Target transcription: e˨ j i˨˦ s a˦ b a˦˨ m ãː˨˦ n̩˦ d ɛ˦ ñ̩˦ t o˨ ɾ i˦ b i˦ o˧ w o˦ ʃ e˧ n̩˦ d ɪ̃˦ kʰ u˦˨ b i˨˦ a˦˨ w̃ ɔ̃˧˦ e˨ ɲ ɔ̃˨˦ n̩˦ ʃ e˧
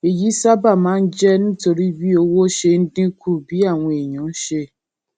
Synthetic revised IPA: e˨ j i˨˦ s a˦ b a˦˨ m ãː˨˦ n̩˦ d͡ʒ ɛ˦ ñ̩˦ t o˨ ɾ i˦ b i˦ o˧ w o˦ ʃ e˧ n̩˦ d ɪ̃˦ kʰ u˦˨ b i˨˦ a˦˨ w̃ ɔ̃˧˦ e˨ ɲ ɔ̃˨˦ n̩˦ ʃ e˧